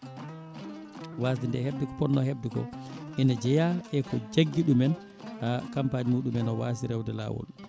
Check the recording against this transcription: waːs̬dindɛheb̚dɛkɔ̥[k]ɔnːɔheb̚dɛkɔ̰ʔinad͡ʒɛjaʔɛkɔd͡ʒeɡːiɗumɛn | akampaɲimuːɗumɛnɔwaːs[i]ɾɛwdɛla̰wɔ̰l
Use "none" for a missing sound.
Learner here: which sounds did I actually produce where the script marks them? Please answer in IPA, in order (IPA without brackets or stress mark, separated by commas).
p, i